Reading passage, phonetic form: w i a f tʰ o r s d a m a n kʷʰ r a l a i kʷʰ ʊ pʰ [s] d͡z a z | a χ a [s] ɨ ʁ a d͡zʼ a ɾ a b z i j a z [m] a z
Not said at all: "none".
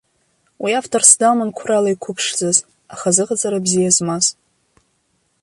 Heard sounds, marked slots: ʂ, z, m

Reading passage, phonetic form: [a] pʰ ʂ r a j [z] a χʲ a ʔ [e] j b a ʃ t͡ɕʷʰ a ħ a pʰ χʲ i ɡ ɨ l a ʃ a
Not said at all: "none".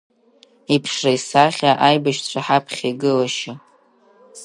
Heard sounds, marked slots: i, s, a

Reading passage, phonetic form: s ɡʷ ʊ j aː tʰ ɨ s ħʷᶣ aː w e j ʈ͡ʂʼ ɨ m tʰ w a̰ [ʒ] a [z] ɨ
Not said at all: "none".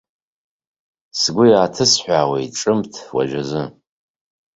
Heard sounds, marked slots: ʒ, z

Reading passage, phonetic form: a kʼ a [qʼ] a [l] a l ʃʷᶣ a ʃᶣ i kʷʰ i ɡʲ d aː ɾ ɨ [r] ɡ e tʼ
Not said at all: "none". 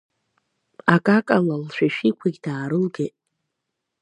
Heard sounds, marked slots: kʼ, l, l

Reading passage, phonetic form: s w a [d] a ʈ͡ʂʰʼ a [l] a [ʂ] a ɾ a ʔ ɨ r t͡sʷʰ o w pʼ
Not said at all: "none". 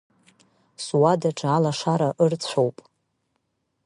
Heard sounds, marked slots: d, l, ʂ

